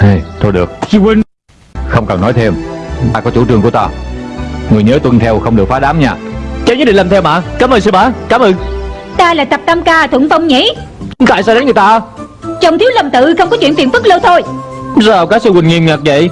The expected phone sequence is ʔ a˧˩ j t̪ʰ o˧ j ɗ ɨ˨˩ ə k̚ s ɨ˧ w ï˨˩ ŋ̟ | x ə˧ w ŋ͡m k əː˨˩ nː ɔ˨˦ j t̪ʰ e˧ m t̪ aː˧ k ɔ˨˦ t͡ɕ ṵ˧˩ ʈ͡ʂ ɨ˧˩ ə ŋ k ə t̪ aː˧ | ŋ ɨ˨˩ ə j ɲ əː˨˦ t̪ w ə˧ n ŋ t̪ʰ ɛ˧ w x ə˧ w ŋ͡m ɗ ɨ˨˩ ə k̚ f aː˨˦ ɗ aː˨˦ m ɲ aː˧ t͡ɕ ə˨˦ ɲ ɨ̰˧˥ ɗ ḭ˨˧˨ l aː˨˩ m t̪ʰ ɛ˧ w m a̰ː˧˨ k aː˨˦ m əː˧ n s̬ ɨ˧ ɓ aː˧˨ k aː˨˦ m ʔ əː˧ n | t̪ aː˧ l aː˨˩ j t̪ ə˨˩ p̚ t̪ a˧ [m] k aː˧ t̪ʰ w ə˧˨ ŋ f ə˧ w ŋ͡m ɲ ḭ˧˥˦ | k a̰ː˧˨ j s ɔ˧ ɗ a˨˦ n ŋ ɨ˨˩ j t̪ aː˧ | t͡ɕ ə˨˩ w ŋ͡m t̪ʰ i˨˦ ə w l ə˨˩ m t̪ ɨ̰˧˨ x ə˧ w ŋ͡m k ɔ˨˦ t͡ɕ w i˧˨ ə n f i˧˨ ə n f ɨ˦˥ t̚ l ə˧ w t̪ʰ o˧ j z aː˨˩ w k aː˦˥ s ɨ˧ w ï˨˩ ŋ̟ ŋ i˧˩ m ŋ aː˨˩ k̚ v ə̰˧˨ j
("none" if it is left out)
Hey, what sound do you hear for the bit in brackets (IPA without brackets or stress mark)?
m